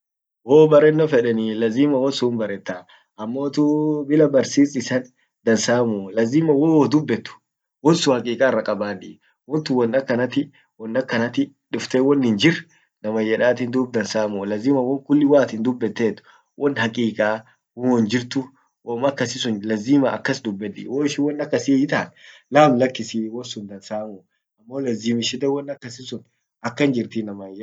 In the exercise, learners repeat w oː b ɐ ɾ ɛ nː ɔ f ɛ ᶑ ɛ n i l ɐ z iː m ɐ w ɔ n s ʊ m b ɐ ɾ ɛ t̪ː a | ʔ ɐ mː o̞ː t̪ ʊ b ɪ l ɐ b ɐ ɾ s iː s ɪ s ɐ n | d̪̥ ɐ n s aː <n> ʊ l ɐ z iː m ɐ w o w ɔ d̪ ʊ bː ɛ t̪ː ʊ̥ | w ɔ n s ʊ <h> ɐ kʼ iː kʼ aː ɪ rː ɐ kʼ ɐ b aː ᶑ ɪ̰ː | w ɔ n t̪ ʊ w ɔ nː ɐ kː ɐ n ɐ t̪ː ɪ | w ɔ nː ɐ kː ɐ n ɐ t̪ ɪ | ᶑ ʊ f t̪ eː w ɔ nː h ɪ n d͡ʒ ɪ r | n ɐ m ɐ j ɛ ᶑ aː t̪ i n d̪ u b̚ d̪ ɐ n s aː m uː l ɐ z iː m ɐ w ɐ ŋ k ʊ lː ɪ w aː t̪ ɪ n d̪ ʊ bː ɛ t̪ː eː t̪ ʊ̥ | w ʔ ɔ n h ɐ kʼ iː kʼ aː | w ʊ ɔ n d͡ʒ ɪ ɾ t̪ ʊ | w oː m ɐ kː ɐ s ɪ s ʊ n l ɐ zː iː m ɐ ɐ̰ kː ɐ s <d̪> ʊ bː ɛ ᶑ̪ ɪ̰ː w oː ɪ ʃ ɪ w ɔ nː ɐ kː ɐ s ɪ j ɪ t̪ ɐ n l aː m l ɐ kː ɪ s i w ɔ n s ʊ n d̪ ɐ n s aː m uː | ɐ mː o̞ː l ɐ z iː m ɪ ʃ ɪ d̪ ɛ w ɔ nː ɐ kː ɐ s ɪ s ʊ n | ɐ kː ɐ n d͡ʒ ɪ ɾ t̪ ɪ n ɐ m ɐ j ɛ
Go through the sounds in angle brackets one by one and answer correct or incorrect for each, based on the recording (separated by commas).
incorrect, correct, correct